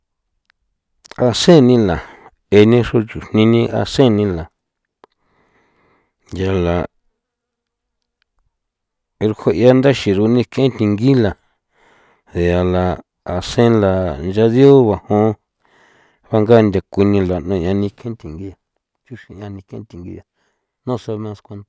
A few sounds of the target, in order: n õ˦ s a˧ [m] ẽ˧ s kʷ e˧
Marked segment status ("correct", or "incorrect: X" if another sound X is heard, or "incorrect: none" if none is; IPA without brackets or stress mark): correct